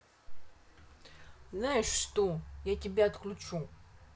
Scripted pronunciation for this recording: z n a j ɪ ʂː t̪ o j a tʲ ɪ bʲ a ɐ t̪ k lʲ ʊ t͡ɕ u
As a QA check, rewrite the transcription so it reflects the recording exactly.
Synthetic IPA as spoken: z n a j ɪ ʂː t̪ o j a tʲ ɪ bʲ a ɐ t̪ k lʲ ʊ t͡ɕ u